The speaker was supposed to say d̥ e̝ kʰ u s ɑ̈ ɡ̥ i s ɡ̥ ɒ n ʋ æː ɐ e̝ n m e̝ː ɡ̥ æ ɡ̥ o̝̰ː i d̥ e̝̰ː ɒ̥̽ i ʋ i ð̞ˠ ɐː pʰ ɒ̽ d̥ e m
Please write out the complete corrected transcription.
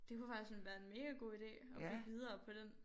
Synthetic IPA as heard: d̥ e̝ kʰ u f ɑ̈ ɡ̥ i s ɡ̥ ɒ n ʋ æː ɐ e̝ n m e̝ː ɡ̥ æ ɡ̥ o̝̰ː i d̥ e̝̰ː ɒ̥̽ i ʋ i ð̞ˠ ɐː pʰ ɒ̽ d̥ e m